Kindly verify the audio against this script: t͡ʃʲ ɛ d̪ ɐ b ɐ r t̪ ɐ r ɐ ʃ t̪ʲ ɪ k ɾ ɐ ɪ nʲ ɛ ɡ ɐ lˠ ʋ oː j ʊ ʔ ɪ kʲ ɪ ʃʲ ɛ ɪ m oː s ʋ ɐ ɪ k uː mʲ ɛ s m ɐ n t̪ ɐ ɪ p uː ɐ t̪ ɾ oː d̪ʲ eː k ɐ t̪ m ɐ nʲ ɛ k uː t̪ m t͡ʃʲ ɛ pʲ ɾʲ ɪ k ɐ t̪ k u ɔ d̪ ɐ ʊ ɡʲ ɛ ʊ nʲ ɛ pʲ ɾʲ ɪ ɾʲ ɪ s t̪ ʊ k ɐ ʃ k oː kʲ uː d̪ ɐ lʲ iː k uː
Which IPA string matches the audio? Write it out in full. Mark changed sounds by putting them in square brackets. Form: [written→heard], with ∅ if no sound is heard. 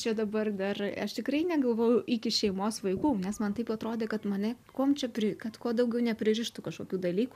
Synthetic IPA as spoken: t͡ʃʲ ɛ d̪ ɐ b ɐ r [t̪→d̪] ɐ r ɐ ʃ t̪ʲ ɪ k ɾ ɐ ɪ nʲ ɛ ɡ ɐ lˠ ʋ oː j ʊ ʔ ɪ kʲ ɪ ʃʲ ɛ ɪ m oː s ʋ ɐ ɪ k uː [mʲ→nʲ] ɛ s m ɐ n t̪ ɐ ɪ p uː ɐ t̪ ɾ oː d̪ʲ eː k ɐ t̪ m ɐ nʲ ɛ k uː [t̪→∅] m t͡ʃʲ ɛ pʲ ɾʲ ɪ k ɐ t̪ k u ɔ d̪ ɐ ʊ ɡʲ ɛ ʊ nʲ ɛ pʲ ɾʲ ɪ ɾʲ ɪ [s→ʃ] t̪ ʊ k ɐ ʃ k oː kʲ uː d̪ ɐ lʲ iː k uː